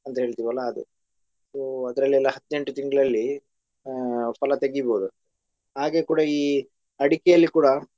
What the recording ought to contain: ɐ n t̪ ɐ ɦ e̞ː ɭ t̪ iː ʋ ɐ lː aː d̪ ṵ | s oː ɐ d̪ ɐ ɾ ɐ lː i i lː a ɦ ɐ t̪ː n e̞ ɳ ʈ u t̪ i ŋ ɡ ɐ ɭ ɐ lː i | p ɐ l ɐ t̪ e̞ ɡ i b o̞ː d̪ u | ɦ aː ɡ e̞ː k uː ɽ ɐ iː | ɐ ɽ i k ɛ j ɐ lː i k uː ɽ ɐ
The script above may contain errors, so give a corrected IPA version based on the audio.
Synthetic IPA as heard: ɐ n t̪ ɐ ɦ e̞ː ɭ t̪ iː ʋ ɐ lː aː d̪ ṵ | s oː ɐ d̪ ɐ ɾ ɐ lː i ɛ lː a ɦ ɐ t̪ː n e̞ ɳ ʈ u t̪ i ŋ ɡ ɐ ɭ ɐ lː i | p ɐ l ɐ t̪ e̞ ɡ i b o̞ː d̪ u | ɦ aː ɡ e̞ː k uː ɽ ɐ iː | ɐ ɽ i k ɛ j ɐ lː i k uː ɽ ɐ